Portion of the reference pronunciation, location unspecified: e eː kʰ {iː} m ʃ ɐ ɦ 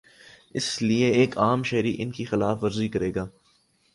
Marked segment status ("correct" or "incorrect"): incorrect